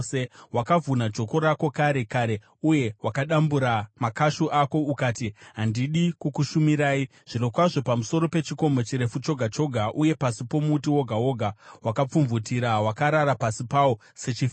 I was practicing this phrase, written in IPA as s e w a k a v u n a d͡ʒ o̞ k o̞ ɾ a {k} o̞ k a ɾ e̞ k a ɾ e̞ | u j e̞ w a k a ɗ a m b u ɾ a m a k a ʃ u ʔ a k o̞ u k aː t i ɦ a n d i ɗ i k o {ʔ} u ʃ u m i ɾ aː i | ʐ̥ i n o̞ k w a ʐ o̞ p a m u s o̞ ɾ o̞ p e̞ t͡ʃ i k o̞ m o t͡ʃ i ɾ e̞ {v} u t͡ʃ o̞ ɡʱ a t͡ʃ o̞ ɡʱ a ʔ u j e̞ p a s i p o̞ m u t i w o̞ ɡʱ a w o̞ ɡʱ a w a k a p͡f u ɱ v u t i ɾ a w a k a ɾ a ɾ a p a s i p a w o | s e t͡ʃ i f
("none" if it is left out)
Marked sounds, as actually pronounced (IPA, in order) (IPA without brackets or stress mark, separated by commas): k, k, f